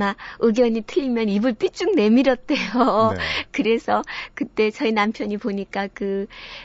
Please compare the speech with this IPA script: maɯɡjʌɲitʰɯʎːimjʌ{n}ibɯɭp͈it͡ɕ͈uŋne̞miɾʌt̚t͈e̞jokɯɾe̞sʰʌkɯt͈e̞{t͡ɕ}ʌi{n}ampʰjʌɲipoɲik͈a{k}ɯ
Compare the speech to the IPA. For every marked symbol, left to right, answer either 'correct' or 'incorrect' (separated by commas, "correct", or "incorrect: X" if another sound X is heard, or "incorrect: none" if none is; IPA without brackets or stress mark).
correct, correct, correct, correct